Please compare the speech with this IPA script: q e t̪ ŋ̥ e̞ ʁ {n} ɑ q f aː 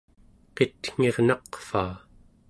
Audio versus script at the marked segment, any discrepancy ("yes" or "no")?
no